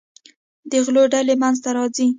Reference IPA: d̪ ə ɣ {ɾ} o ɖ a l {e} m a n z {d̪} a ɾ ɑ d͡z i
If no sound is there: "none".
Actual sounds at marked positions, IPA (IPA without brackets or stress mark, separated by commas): l, e, t̪